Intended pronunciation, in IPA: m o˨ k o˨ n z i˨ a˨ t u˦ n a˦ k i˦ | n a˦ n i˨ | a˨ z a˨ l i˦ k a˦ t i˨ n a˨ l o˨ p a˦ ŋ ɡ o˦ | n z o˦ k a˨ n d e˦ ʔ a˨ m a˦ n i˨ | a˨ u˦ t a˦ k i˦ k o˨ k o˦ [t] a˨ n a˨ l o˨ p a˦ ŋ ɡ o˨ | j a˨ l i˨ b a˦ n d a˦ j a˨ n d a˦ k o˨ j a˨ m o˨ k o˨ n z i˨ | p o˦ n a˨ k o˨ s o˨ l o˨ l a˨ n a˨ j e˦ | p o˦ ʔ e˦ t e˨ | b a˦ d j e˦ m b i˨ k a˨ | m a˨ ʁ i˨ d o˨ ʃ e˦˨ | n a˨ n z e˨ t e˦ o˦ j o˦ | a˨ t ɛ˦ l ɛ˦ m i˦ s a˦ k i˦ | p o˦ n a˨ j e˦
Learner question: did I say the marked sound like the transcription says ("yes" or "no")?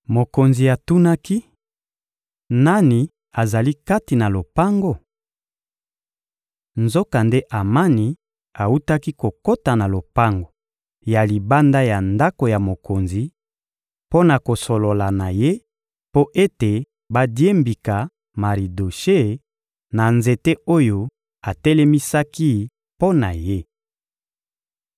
yes